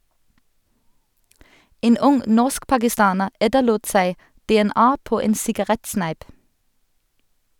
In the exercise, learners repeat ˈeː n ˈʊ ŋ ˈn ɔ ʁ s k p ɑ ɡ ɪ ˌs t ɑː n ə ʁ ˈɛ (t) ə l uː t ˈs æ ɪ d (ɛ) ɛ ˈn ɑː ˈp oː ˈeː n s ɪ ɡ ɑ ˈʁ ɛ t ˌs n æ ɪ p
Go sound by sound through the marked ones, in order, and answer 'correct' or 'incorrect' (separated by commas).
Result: correct, correct